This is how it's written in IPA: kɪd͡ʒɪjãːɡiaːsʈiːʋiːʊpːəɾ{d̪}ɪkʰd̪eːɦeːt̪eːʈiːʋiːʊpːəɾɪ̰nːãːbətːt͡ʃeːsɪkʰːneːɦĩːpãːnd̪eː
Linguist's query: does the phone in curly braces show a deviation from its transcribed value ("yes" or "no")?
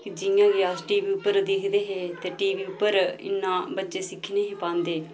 no